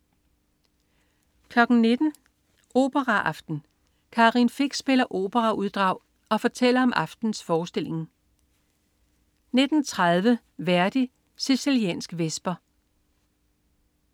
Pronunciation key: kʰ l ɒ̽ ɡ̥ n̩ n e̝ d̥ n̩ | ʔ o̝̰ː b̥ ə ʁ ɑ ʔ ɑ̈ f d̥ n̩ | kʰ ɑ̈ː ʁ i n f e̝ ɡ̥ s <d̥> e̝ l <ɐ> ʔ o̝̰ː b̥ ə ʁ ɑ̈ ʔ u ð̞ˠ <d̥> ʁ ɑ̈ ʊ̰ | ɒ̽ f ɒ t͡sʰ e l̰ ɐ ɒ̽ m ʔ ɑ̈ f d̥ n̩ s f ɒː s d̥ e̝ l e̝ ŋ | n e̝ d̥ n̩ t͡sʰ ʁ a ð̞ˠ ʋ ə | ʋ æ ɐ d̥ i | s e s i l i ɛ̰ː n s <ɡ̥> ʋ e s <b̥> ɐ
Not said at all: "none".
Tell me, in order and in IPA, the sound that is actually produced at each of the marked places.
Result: b̥, ɐ, d̥, ɡ̥, b̥

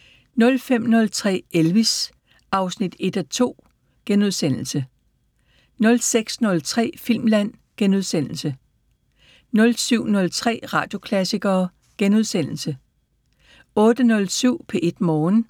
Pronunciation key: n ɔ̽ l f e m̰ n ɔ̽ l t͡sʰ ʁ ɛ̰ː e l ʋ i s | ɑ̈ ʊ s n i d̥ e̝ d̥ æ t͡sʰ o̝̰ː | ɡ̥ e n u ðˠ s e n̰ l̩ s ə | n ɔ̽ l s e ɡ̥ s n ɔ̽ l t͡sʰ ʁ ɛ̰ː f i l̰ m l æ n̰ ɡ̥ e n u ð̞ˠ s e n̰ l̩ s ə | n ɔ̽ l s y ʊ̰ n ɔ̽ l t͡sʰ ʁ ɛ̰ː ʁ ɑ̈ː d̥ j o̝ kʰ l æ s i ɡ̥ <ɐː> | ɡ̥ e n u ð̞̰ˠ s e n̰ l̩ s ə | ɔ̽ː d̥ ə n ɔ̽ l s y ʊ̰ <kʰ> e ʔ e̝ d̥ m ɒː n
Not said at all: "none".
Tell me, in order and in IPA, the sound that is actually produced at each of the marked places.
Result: ɐː, pʰ

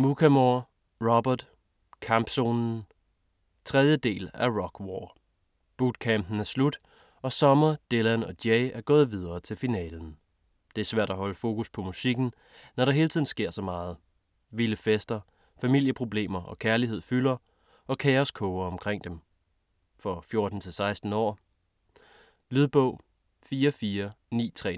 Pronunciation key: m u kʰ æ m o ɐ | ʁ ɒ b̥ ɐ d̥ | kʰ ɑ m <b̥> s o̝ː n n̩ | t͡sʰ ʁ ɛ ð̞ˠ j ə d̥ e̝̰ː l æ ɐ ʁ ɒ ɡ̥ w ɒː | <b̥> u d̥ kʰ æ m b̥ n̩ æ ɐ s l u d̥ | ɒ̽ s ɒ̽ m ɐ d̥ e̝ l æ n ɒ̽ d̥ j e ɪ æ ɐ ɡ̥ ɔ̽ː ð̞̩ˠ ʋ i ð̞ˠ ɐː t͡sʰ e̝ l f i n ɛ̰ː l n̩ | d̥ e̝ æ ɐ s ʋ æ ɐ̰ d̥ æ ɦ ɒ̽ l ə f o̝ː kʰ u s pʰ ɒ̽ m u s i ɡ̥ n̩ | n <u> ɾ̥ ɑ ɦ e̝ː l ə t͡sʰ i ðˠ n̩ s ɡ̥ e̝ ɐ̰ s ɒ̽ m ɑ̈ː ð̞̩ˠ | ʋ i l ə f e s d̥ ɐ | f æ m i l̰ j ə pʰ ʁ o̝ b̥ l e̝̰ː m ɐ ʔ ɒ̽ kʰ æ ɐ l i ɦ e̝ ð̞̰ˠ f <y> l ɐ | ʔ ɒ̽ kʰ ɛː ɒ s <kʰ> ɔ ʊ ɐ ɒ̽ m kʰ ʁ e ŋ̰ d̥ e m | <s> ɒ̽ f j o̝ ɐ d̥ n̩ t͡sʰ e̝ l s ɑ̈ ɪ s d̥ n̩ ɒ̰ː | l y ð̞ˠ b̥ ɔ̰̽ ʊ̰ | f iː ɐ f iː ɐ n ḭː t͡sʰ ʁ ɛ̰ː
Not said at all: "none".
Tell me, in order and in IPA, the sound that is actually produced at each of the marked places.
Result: b̥, b̥, ɒ, y, kʰ, f

